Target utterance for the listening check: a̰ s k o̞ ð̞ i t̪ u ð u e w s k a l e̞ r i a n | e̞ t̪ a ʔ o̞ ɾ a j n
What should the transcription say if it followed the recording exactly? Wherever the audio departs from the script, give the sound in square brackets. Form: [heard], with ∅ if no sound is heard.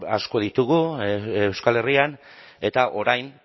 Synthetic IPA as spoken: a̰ s k o̞ ð̞ i t̪ u [ɣ] u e w s k a l e̞ r i a n | e̞ t̪ a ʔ o̞ ɾ a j n